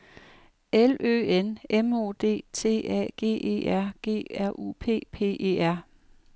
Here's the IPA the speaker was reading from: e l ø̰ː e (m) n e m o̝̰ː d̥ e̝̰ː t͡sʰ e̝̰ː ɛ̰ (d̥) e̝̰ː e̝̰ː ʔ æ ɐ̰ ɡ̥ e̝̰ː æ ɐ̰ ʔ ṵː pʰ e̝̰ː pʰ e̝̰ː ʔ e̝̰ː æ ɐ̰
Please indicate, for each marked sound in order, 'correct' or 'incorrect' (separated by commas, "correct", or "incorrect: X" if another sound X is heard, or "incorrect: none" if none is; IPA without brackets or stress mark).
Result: incorrect: none, incorrect: ɡ̥